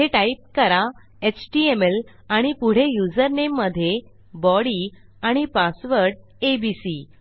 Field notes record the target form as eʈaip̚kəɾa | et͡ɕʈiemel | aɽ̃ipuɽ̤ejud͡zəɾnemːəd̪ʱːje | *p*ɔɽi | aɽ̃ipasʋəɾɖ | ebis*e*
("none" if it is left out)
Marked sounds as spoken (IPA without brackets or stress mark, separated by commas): b, i